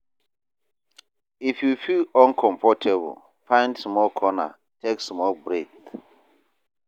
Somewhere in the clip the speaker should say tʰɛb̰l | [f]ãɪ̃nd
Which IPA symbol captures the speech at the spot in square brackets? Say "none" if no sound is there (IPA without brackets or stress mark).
f